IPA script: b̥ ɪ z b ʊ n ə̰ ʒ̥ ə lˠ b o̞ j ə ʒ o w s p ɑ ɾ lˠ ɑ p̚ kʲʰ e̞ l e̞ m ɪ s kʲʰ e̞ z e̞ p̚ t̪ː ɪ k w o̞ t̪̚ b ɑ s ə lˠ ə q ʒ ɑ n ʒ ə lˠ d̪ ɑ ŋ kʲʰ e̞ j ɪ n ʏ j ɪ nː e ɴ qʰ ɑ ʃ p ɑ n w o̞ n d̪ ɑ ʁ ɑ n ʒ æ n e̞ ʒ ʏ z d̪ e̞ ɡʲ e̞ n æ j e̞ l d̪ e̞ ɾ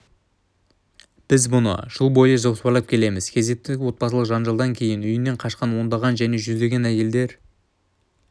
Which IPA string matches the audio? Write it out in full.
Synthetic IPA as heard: b̥ ɪ z b ʊ n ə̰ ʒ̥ ə lˠ b o̞ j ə ʒ o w s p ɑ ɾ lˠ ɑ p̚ kʲʰ e̞ l e̞ m ɪ z kʲʰ e̞ z e̞ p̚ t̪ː ɪ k w o̞ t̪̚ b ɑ s ə lˠ ə q ʒ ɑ n ʒ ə lˠ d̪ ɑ ŋ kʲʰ e̞ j ɪ n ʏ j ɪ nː e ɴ qʰ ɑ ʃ q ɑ n w o̞ n d̪ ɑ ʁ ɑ n ʒ æ n e̞ ʒ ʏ z d̪ e̞ ɡʲ e̞ n æ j e̞ l d̪ e̞ ɾ